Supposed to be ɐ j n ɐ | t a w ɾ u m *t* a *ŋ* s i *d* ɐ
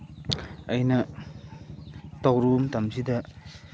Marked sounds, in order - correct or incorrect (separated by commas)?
correct, incorrect, correct